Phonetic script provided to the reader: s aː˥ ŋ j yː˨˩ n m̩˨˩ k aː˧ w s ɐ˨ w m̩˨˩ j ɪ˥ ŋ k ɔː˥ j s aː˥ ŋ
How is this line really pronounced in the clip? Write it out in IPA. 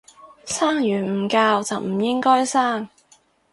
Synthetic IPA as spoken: s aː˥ ŋ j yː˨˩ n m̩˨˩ k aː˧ w t͡s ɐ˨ w m̩˨˩ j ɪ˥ ŋ k ɔː˥ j s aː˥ ŋ